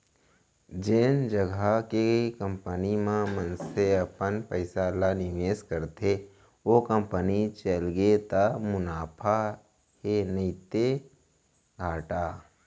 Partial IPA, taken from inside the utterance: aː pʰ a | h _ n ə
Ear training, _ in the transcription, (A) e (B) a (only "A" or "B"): A